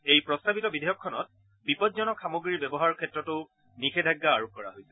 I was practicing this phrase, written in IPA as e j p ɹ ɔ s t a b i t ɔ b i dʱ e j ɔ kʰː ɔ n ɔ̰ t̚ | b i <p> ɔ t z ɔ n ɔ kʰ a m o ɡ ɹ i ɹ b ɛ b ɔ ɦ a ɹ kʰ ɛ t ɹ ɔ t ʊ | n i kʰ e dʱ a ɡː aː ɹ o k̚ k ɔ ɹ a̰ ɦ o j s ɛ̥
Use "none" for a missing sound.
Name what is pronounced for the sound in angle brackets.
p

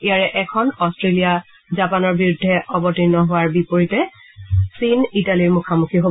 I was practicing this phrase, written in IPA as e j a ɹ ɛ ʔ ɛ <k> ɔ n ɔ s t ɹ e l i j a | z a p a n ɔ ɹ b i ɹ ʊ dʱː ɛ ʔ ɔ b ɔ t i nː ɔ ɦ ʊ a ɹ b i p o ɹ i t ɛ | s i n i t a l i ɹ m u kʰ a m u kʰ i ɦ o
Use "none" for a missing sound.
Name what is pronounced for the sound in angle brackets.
kʰ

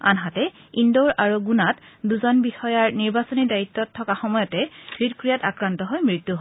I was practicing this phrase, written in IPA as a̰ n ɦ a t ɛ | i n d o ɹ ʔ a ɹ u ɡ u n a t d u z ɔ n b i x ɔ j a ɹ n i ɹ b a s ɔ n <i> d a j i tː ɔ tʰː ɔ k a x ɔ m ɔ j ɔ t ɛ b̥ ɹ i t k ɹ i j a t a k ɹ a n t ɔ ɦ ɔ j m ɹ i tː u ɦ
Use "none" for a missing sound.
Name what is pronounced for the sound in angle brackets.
i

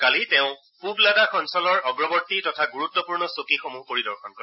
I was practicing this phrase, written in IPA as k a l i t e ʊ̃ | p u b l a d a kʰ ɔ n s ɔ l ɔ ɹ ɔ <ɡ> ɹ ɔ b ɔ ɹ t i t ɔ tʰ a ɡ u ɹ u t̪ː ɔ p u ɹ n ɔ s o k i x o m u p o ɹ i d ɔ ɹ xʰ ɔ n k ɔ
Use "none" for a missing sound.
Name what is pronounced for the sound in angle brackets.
ɡ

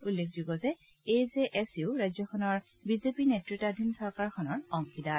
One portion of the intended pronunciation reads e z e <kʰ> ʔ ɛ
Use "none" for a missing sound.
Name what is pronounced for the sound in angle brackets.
none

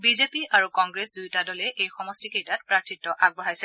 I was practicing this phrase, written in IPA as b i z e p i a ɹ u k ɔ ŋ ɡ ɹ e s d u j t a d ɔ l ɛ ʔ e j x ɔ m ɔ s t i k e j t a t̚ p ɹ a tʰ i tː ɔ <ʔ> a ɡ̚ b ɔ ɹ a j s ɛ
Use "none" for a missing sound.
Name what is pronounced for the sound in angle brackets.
ʔ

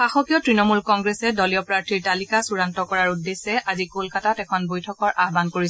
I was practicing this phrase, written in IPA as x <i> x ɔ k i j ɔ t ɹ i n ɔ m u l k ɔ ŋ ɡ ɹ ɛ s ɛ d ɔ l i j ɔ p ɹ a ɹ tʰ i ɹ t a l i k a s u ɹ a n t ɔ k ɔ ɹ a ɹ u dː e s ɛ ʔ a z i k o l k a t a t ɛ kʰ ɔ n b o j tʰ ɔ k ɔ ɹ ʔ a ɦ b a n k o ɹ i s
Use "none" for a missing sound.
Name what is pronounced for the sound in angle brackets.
a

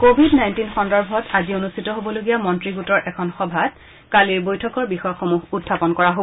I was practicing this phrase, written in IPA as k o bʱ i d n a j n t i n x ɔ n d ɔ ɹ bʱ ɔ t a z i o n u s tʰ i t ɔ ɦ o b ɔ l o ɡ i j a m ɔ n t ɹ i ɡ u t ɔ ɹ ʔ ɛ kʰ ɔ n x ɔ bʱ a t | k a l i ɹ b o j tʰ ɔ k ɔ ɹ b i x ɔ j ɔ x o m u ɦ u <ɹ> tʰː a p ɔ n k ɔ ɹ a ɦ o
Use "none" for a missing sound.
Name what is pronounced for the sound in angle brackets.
none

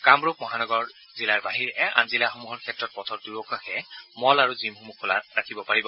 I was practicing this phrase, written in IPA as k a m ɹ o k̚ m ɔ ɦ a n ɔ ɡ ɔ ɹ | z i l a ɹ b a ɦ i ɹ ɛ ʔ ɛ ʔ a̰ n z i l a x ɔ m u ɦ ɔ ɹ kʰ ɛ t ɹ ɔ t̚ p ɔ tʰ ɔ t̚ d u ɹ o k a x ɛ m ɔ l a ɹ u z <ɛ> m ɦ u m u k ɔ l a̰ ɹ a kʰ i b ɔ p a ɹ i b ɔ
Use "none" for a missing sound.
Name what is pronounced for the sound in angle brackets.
i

